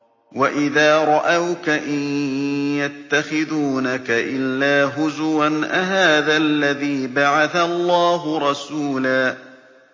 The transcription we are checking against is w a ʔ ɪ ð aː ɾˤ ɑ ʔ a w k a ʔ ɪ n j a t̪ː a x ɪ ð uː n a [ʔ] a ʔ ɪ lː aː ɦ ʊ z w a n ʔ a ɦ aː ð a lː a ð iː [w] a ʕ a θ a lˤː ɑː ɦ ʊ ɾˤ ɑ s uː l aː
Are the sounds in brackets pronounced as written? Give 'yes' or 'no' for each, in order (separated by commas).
no, no